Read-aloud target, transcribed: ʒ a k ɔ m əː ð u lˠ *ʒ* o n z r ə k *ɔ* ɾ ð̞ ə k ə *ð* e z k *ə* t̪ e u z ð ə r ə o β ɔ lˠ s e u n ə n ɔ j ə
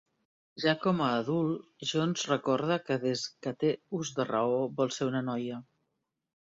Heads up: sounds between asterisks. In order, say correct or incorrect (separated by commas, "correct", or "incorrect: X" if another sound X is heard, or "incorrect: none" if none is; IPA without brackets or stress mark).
correct, correct, correct, correct